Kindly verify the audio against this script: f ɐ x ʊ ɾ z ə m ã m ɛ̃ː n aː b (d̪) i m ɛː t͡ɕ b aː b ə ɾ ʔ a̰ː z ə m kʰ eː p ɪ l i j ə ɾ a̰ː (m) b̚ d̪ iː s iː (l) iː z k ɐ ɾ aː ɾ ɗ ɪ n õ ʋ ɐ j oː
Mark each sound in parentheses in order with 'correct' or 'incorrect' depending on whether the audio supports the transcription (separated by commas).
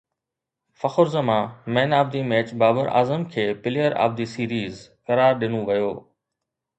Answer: correct, incorrect, incorrect